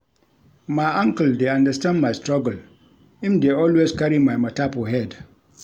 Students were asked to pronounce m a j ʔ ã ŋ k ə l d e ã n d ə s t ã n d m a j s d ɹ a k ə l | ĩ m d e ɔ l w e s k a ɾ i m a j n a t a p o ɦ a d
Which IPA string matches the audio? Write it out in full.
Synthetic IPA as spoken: m a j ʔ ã ŋ k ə l d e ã n d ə s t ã n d m a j s t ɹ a ɡ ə l | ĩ m d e ɔ l w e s k a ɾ i m a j m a t a p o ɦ ɛ d